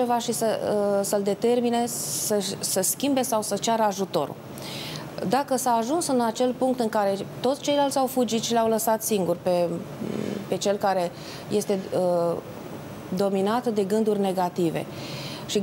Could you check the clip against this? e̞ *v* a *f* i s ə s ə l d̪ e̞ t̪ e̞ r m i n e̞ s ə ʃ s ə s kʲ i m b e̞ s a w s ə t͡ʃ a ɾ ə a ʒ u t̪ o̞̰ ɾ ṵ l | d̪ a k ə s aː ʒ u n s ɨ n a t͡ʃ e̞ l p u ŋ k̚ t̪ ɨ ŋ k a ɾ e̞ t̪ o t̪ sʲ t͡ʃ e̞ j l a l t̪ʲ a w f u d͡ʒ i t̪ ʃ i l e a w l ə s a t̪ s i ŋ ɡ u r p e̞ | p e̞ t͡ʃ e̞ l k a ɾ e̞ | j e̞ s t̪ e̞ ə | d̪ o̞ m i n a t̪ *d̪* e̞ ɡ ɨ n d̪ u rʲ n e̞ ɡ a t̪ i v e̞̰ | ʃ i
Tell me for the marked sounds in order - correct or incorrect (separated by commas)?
correct, incorrect, correct